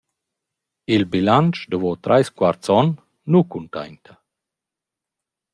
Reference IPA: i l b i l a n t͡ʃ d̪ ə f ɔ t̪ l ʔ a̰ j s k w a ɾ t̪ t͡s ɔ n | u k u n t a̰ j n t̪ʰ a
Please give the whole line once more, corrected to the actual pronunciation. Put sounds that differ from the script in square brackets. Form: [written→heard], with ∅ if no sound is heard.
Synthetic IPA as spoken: i l b i l a n t͡ʃ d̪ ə [f→v] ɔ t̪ [l→ɾ] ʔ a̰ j s k w a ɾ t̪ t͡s ɔ [n→nː] | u k u n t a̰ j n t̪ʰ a